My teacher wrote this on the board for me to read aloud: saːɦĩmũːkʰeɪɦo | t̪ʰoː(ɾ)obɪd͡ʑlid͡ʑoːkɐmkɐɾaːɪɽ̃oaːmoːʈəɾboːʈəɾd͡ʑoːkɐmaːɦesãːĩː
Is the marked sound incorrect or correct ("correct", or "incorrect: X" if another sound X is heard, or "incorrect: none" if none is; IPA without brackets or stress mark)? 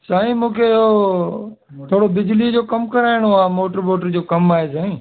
incorrect: ɽ